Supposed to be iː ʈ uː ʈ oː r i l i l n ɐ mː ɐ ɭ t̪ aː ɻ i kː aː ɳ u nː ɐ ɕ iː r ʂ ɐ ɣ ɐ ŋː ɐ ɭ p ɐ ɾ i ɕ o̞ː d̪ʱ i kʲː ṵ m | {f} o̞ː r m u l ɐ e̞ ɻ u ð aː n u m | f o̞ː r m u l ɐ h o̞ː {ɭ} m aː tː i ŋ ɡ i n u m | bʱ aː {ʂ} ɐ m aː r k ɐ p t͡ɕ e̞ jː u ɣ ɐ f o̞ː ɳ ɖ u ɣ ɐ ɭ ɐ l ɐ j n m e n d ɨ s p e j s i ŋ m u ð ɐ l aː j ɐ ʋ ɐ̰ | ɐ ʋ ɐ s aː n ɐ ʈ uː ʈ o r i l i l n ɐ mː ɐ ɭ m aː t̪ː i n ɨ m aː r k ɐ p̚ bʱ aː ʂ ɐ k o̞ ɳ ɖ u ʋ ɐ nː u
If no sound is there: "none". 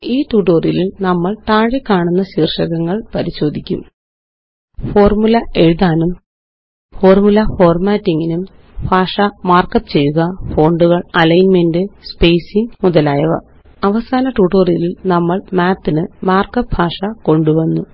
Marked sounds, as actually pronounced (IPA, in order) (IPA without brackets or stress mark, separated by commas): f, r, ʂ